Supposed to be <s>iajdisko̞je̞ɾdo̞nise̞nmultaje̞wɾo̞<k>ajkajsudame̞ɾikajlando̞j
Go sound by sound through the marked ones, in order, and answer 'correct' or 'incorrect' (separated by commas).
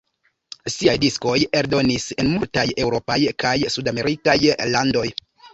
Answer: correct, incorrect